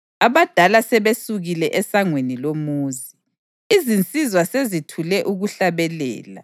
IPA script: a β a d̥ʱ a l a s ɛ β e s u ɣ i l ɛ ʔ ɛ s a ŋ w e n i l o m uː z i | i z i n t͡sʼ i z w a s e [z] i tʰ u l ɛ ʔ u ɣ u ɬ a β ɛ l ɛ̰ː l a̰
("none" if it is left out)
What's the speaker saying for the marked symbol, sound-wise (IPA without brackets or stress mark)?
z